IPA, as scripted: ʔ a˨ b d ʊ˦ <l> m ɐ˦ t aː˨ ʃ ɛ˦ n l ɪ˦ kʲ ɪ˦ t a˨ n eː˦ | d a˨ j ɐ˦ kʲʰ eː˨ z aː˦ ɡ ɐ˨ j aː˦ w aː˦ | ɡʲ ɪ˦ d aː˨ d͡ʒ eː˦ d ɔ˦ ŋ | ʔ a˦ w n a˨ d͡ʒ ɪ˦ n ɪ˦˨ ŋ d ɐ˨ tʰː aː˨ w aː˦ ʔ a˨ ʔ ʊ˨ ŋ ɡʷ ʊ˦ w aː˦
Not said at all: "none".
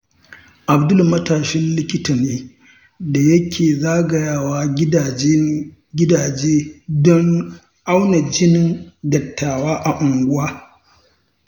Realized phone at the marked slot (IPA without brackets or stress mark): l